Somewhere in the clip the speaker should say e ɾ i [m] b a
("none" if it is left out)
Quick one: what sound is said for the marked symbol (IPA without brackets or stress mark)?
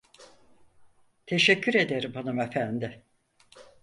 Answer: m